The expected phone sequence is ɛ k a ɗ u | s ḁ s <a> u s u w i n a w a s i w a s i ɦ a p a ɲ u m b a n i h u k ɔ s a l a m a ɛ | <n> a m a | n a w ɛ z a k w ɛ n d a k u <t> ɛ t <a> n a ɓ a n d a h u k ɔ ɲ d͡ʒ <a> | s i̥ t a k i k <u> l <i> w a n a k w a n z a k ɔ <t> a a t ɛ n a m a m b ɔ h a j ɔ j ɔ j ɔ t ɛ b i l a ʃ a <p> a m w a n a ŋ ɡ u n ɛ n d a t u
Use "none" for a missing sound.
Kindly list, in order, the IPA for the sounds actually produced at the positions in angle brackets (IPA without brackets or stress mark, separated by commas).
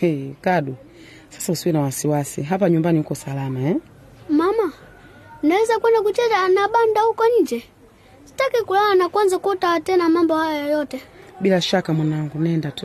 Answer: a, m, t, a, ɛ, u, a, t, k